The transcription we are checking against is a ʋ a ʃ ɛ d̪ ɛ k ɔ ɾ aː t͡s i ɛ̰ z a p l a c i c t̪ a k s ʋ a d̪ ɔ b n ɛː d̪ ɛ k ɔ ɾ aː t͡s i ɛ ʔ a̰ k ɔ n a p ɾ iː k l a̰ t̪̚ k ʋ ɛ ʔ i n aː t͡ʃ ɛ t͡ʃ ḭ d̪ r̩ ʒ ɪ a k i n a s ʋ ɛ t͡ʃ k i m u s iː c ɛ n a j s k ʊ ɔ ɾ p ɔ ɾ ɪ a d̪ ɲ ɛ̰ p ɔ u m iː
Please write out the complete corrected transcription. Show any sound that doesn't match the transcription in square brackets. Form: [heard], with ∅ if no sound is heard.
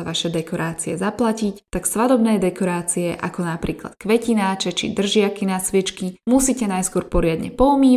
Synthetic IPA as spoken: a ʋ a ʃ ɛ d̪ ɛ k ɔ ɾ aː t͡s i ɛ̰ z a p l a c i c t̪ a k s ʋ a d̪ ɔ b n ɛː d̪ ɛ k ɔ ɾ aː t͡s i ɛ ʔ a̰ k ɔ n a p ɾ iː k l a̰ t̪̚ k ʋ ɛ [c] i n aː t͡ʃ ɛ t͡ʃ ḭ d̪ r̩ ʒ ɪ a k i n a s ʋ ɛ t͡ʃ k i m u s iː c ɛ n a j s k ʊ ɔ ɾ p ɔ ɾ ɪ a d̪ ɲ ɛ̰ p ɔ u m iː